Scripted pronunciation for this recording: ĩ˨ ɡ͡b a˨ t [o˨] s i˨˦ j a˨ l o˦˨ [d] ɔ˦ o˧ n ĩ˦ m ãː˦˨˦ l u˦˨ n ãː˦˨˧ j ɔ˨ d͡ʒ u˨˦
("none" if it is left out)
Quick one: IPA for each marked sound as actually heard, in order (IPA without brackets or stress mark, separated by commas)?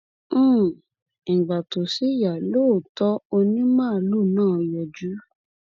o˨, t